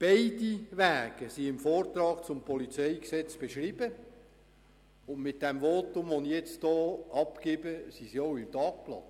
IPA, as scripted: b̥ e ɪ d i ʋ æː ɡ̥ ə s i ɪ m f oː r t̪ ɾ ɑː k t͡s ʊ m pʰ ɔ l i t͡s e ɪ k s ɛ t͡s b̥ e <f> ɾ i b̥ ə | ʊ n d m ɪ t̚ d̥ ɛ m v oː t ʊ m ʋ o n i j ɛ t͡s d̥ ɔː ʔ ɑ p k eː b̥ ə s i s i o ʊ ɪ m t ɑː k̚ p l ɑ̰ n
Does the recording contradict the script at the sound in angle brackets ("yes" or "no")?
yes